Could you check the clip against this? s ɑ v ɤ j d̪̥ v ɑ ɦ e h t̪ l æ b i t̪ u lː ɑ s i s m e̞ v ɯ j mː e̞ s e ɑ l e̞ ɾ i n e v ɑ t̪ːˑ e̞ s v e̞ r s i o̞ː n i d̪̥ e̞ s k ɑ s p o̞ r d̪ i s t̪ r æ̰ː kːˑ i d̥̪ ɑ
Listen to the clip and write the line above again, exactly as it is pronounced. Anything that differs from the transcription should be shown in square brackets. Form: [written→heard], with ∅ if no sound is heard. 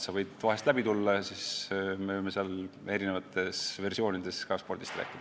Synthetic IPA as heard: s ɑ v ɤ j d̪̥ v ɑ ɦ e [h→s] t̪ l æ b i t̪ u lː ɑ s i s m e̞ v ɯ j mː e̞ s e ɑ l e̞ ɾ i n e v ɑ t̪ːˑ e̞ s v e̞ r s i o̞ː n i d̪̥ e̞ s k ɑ s p o̞ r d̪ i s t̪ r æ̰ː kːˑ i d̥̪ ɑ

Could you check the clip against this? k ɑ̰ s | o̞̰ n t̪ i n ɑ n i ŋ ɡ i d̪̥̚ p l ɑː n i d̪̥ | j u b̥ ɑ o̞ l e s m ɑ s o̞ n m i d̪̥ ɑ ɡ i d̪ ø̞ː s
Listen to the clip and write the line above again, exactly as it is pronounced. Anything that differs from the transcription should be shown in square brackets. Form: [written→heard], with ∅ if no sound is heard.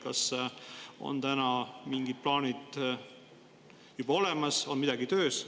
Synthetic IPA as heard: k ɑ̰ s | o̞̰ n t̪ [i→æ] n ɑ [n→m] i ŋ ɡ i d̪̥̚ p l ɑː n i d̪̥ | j u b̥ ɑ o̞ l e [s→∅] m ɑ s o̞ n m i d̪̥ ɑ ɡ i [d̪→t̪] ø̞ː s

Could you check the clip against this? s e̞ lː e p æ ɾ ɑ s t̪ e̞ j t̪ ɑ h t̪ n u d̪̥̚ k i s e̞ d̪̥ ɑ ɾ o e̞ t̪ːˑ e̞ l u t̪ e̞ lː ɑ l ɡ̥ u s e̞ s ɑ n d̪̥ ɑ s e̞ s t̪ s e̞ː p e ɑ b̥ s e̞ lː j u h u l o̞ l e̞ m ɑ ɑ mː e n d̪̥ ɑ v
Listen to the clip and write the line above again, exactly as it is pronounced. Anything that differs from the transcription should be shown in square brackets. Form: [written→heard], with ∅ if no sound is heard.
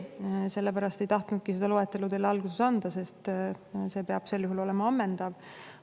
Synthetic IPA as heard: s e̞ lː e p æ ɾ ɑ s t̪ e̞ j t̪ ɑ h t̪ n u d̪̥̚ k i s e̞ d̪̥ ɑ [ɾ→l] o e̞ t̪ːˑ e̞ l u t̪ e̞ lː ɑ l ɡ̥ u s e̞ s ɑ n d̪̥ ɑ s e̞ s t̪ s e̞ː p e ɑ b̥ s e̞ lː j u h u l o̞ l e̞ m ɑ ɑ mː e n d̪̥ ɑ v

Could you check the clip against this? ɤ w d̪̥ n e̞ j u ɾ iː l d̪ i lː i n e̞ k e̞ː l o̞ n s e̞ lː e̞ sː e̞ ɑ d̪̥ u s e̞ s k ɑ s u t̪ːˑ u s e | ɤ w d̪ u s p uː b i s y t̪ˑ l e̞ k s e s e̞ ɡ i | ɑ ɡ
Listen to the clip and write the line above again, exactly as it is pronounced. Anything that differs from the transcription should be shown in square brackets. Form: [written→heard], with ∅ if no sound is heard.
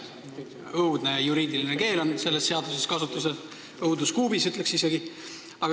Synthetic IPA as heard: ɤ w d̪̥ n e̞ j u ɾ iː [l→∅] d̪ i [lː→l] i n e̞ k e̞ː l o̞ n s e̞ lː e̞ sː e̞ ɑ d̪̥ u s e̞ s k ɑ s u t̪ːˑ u s e | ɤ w d̪ u s [p→k] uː b i s y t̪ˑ l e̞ k s [e→i] s e̞ ɡ i | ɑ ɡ

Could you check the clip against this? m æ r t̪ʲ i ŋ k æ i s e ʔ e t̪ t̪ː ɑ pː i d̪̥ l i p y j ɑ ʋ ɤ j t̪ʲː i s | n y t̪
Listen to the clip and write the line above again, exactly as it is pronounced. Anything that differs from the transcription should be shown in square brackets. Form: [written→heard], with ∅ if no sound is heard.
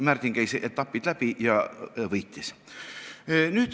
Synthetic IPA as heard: m æ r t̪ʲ i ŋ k æ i s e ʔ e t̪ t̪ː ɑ pː i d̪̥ l [i→æ] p [y→i] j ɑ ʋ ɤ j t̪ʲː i s | n y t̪

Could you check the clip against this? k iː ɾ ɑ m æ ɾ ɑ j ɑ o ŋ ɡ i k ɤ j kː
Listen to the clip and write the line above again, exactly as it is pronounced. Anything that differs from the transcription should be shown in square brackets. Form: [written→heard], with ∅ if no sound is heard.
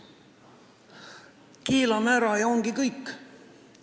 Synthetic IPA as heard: k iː [ɾ→l] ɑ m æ ɾ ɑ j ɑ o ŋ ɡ i k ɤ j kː

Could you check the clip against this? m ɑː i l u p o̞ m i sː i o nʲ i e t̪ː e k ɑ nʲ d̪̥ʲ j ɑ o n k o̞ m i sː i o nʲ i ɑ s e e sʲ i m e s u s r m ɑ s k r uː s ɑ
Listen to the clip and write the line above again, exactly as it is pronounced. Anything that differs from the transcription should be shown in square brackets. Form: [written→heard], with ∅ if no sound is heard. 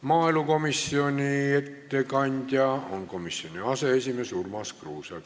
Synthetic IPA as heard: m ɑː i l u [p→k] o̞ m i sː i o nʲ i e t̪ː e k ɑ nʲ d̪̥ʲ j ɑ o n k o̞ m i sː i o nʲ i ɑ s e e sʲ i m e s u [s→∅] r m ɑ s k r uː s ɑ

